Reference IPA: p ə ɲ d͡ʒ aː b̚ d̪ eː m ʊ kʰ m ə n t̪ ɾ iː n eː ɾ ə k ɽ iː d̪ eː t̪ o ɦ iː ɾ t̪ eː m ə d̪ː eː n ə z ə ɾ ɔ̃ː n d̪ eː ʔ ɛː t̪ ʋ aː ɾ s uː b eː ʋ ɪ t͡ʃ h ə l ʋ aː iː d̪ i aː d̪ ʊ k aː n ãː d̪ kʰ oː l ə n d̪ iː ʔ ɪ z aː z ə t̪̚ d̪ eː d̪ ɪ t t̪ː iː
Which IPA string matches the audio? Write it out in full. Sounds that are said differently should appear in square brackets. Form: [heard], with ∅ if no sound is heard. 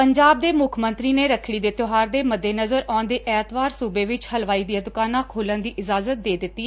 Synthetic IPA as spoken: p ə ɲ d͡ʒ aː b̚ d̪ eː m ʊ kʰ m ə n t̪ ɾ iː n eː ɾ ə [kʰ] ɽ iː d̪ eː t̪ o ɦ [aː] ɾ [d̪] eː m ə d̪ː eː n ə z ə ɾ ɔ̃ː n d̪ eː ʔ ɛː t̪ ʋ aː ɾ s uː b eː ʋ ɪ t͡ʃ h ə l ʋ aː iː d̪ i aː d̪ ʊ k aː n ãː [∅] kʰ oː l ə n d̪ iː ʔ ɪ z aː z ə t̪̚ d̪ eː d̪ ɪ t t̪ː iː